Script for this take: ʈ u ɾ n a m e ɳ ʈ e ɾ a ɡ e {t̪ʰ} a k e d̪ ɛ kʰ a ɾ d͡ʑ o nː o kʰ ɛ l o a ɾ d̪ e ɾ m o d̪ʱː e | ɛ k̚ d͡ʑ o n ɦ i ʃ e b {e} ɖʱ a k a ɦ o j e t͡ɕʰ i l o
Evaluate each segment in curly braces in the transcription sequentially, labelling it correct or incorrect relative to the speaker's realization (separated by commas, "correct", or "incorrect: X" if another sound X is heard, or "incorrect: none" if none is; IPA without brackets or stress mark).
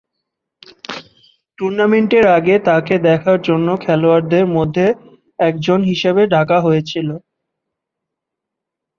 incorrect: t̪, correct